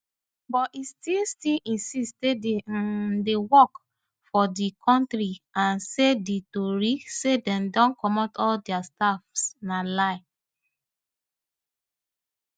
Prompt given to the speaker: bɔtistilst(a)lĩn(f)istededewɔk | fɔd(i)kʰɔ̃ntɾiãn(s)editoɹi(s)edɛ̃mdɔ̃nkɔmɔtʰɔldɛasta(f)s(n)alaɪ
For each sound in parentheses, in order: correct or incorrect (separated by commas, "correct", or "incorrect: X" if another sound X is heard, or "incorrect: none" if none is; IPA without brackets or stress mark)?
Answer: incorrect: i, incorrect: s, correct, correct, correct, correct, correct